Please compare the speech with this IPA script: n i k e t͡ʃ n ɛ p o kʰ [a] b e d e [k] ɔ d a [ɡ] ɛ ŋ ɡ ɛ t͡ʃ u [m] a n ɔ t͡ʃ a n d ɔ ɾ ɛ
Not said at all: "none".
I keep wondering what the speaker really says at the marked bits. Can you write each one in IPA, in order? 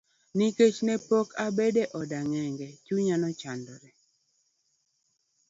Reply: a, ʔ, ŋ, ɲ

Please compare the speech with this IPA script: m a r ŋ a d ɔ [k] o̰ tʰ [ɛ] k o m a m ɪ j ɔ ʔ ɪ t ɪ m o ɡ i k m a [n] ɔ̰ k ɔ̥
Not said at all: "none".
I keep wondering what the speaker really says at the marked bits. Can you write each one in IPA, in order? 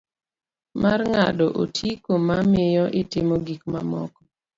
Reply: ʔ, i, m

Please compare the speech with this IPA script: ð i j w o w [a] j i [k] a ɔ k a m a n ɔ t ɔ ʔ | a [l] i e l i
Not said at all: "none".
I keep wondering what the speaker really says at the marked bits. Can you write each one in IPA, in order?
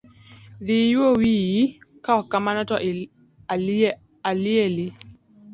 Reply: i, k, l

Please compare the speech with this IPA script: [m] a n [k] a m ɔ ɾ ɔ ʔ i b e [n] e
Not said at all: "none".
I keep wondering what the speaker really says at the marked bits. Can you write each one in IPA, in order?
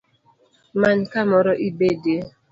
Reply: m, k, d

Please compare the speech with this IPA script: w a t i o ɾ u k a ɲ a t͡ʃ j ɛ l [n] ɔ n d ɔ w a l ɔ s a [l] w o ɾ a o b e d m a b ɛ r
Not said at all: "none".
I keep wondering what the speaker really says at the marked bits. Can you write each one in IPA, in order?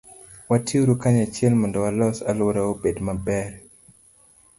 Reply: m, l

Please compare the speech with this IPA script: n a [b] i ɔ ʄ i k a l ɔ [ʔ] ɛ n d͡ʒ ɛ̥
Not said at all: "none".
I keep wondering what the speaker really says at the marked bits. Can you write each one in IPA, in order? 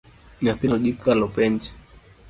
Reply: p, p

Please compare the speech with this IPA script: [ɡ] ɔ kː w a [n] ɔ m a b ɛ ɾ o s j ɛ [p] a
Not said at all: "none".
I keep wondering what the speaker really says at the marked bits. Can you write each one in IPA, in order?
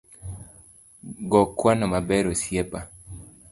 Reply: ɡ, n, p

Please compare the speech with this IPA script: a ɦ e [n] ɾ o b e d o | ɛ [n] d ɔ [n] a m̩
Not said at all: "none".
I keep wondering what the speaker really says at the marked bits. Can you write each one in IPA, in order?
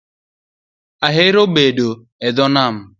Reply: none, none, n

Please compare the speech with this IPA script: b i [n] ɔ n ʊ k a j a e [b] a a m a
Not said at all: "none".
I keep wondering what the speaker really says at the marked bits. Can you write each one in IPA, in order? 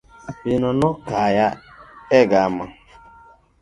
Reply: n, ɡ

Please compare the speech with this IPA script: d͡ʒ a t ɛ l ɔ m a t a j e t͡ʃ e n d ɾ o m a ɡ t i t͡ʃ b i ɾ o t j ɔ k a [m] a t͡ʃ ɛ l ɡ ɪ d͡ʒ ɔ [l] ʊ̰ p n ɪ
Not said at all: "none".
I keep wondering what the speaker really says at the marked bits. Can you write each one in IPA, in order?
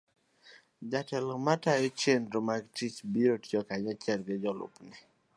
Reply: ɲ, l

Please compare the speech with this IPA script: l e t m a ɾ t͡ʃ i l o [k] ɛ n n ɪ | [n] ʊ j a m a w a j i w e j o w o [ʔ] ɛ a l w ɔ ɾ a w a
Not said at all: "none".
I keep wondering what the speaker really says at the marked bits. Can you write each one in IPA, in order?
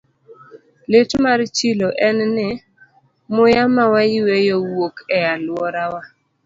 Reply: ʔ, m, k

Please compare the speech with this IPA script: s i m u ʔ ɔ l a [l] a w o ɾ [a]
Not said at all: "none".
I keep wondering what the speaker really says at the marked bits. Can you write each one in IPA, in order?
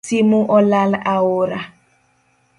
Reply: l, a

